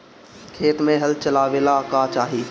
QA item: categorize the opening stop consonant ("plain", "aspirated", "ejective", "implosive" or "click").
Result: aspirated